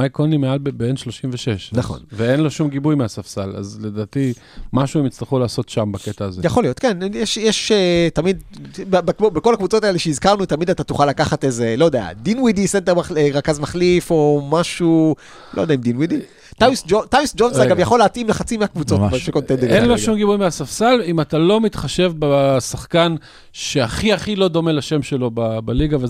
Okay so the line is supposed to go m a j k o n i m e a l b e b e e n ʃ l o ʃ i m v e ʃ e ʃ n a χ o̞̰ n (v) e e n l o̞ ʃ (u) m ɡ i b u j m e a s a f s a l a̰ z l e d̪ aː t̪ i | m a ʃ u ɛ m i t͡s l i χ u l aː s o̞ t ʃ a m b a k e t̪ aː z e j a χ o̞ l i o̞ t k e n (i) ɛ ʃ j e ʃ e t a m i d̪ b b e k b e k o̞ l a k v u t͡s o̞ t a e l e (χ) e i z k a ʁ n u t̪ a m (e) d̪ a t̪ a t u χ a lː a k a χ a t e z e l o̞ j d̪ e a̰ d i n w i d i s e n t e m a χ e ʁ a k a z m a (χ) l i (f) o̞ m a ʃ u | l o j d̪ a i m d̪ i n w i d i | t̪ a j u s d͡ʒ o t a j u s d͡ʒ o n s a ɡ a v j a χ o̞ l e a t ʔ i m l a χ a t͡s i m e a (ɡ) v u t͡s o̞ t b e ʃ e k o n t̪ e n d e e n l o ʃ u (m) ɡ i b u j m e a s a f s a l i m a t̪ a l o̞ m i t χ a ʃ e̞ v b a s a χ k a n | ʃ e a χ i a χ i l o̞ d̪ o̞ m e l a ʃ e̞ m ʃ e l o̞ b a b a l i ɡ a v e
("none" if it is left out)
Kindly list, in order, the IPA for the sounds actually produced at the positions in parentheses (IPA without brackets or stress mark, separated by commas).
v, u, j, ʃ, i, χ, f, k, m